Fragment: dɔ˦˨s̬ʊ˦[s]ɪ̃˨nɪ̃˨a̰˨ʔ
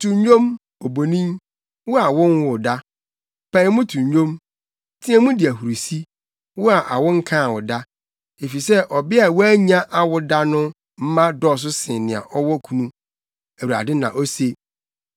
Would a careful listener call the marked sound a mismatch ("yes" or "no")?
no